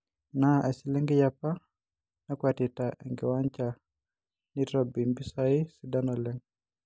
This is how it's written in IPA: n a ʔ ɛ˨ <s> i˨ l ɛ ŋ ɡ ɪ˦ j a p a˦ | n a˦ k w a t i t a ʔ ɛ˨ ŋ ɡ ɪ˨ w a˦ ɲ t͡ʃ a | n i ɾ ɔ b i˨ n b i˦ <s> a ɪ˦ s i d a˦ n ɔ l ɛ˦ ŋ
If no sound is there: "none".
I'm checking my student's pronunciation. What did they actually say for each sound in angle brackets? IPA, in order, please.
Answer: s, s

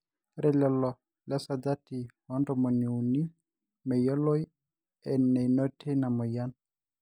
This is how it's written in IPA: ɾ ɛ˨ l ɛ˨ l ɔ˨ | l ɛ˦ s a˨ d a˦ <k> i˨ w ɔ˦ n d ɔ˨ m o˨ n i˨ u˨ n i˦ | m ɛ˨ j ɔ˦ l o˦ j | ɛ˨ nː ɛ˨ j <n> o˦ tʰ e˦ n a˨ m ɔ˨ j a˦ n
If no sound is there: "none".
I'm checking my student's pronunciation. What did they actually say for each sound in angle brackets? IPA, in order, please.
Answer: t, n

